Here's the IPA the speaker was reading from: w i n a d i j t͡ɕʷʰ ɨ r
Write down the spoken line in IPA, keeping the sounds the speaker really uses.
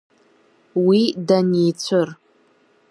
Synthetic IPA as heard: w i d a n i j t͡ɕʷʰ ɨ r